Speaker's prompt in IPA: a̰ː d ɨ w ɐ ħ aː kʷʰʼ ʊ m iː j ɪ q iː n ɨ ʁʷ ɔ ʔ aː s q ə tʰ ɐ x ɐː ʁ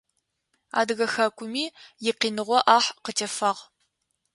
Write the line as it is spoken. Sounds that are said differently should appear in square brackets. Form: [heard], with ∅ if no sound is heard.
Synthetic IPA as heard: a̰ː d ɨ [ɣ] ɐ [x] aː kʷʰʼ ʊ m iː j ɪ q iː n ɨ ʁʷ ɔ ʔ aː [ħ] q ə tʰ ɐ [f] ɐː ʁ